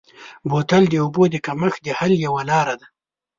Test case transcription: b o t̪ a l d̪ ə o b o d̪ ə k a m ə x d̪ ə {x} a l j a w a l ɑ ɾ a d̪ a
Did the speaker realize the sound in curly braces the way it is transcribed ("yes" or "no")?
no